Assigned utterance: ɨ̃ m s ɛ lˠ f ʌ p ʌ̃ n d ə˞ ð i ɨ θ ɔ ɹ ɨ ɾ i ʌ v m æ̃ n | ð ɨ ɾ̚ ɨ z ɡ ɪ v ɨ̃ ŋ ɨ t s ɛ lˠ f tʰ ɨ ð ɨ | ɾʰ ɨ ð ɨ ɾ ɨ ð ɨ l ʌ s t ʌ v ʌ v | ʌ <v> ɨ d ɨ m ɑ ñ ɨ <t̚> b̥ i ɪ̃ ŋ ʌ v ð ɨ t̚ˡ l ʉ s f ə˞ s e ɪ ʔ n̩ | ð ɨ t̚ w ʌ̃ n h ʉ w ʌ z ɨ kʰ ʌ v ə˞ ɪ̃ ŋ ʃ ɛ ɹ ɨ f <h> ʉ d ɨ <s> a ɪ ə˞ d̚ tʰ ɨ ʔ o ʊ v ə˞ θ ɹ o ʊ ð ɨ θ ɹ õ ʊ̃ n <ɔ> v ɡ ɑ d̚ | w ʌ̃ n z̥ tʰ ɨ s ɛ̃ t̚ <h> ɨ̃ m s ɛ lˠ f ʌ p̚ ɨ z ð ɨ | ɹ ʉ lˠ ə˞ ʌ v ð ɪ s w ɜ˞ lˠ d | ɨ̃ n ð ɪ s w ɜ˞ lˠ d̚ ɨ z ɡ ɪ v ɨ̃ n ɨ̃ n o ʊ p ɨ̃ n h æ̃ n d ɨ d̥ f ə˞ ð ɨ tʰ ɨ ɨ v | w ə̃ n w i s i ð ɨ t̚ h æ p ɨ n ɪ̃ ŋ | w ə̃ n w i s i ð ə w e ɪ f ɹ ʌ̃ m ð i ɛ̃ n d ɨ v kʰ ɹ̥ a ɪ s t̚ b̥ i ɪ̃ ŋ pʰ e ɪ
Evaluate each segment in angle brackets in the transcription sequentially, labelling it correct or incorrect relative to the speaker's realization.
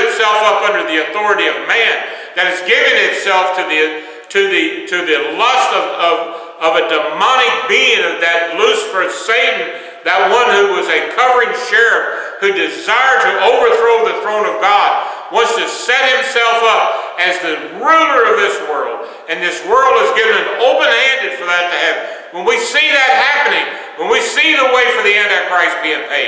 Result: correct, incorrect: k̚, correct, incorrect: z, incorrect: ʌ, correct

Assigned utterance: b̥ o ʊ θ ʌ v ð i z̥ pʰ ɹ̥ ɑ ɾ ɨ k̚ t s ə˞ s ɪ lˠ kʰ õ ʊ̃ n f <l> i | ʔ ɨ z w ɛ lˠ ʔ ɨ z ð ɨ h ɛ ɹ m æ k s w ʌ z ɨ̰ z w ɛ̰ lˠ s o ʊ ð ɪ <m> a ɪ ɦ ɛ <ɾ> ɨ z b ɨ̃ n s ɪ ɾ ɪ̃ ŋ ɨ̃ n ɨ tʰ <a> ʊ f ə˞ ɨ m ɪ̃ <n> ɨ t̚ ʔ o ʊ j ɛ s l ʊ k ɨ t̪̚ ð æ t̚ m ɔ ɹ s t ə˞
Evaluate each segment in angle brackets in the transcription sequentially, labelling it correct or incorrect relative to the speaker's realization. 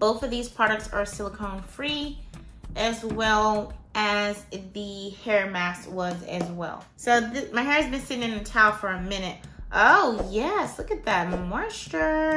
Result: incorrect: ɹ, correct, incorrect: ɹ, correct, correct

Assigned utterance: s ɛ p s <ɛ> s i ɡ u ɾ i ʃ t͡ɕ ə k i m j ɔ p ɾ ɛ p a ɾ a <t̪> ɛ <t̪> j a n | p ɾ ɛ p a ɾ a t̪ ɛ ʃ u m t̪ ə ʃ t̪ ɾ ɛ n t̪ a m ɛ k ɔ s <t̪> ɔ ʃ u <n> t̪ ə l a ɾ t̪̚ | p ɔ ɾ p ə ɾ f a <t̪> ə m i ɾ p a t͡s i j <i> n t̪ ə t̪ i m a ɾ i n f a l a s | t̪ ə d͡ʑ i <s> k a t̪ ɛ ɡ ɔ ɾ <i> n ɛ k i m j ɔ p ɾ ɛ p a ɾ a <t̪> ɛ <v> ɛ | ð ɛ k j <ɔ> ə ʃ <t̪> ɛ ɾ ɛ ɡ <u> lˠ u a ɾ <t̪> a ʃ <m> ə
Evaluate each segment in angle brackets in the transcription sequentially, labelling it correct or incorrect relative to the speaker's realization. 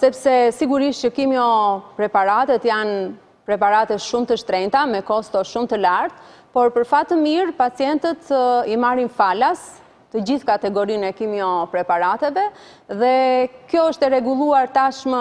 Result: correct, correct, correct, correct, incorrect: m, correct, incorrect: ɛ, incorrect: θ, correct, correct, correct, correct, correct, correct, correct, correct

